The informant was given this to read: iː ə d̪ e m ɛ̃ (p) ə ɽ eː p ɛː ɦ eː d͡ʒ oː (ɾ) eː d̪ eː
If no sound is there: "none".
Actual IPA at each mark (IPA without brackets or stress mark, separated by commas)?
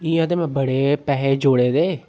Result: b, ɽ